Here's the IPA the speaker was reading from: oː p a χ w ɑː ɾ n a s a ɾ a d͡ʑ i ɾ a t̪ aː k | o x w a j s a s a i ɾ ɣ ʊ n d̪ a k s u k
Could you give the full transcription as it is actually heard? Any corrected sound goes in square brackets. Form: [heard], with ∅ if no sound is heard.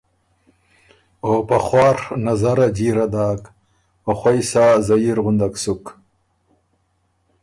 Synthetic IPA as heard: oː p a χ w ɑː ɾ n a [z] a ɾ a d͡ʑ i ɾ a [d̪] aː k | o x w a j s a [z] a i ɾ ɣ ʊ n d̪ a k s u k

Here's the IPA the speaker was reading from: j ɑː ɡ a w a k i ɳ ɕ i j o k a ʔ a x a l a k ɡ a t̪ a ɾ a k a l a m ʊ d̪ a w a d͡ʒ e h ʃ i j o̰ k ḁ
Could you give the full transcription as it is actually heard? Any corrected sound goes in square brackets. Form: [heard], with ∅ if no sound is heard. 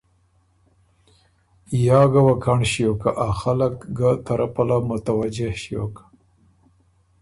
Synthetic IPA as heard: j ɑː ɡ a w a k [a] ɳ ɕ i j o k a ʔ a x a l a k ɡ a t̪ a ɾ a [p] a l a m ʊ [t̪] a w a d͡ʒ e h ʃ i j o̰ k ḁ

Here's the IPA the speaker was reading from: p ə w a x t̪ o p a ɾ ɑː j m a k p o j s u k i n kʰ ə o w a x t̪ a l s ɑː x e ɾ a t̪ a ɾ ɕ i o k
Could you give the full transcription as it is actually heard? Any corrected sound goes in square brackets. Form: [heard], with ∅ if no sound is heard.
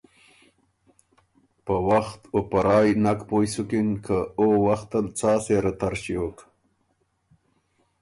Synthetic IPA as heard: p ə w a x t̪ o p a ɾ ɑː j [n] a k p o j s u k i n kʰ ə o w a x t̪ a l [t͡s] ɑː [s] e ɾ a t̪ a ɾ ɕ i o k

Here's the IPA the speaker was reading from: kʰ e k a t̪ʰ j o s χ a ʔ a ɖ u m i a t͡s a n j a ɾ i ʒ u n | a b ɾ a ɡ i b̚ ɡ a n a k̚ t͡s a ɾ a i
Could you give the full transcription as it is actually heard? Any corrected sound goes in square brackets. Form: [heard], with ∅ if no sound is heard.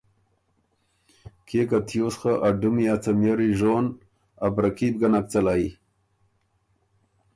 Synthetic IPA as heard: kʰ e k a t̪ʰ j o s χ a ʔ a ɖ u m i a t͡s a [m] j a ɾ i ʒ [o] n | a b ɾ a [k] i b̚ ɡ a n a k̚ t͡s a [l] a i

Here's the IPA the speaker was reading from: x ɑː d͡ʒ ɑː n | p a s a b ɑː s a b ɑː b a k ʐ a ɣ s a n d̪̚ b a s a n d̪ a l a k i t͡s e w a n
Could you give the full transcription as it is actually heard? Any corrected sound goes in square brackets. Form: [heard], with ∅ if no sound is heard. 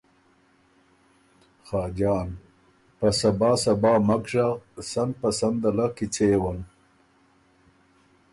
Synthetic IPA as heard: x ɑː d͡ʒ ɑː n | p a s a b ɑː s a b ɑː [m] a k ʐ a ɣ s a n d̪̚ [p] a s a n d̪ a l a k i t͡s e w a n

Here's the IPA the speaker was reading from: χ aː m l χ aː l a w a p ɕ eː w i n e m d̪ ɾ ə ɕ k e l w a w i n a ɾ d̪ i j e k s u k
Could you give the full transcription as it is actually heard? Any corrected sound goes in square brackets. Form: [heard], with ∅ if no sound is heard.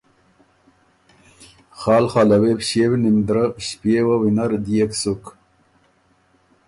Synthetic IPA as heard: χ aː [∅] l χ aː l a w [e] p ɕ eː w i n [i] m d̪ ɾ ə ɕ [p] e [∅] w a w i n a ɾ d̪ i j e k s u k

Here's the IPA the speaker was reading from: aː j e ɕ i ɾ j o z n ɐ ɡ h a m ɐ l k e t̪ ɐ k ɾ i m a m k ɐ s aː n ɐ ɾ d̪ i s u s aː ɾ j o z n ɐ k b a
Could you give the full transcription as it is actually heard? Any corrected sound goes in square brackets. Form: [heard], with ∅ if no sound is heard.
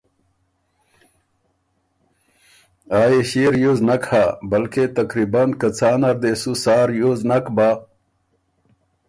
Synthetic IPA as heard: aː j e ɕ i ɾ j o z n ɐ [k] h a [b] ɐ l k e t̪ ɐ k ɾ i [b] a [n] k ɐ [t͡s] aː n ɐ ɾ d̪ [e] s u s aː ɾ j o z n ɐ k b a

